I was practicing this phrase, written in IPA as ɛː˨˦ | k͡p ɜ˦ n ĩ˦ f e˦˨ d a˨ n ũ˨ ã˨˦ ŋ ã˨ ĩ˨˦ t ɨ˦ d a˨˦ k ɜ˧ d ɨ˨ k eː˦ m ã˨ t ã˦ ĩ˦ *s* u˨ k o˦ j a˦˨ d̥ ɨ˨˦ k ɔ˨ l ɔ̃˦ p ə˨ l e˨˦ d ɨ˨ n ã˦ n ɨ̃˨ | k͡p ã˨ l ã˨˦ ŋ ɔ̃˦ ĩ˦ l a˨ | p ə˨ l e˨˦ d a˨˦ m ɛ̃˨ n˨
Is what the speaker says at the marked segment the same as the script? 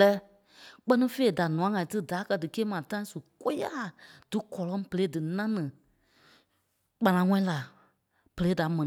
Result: yes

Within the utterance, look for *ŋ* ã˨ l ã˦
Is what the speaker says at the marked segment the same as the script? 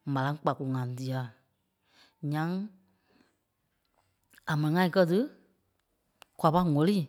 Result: no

